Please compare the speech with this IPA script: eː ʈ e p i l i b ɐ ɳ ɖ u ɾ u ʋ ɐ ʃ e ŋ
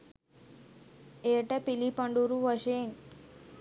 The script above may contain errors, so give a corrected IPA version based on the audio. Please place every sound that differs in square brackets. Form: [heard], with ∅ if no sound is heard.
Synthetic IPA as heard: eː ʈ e p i l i [p] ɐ ɳ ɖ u ɾ u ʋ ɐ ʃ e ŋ

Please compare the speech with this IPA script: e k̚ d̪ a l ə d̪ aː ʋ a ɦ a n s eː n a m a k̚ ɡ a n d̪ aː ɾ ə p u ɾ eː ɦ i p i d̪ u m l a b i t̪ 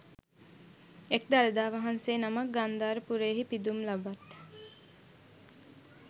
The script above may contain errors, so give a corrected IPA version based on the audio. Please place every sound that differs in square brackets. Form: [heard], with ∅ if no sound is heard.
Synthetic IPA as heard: e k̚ d̪ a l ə d̪ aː ʋ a ɦ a n s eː n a m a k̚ ɡ a n d̪ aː ɾ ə p u ɾ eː ɦ i p i d̪ u m l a b [a] t̪

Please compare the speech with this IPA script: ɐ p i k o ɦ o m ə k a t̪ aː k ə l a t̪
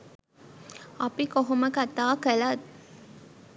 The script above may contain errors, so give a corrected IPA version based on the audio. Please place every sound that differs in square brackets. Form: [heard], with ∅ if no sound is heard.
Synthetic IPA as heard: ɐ p i k o ɦ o m ə k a t̪ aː k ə l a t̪

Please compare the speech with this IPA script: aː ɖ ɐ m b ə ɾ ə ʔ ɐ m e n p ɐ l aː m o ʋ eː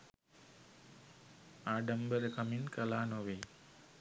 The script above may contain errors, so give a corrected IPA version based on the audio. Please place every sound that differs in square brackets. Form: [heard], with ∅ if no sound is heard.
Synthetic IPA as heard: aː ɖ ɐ m b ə ɾ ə [k] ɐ m [i] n [k] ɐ l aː [n] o ʋ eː

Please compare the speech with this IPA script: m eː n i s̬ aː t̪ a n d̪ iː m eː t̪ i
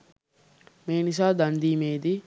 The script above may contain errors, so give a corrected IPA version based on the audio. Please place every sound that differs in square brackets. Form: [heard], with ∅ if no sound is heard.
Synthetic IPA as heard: m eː n i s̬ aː [d̪] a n d̪ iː m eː [d̪] i

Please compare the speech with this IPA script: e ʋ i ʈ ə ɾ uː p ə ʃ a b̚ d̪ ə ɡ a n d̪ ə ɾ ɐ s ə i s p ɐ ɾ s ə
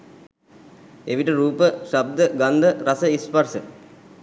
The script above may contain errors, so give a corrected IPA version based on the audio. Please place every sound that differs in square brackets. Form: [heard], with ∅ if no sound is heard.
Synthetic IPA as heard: e ʋ i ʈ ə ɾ uː p ə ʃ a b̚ d̪ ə ɡ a n d̪ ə ɾ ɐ s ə i s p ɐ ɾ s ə

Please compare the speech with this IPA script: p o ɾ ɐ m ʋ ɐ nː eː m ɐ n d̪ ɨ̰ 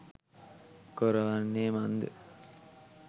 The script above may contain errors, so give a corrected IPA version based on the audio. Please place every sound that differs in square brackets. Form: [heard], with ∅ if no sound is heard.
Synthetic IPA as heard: [k] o ɾ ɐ [∅] ʋ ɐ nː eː m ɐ n d̪ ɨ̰

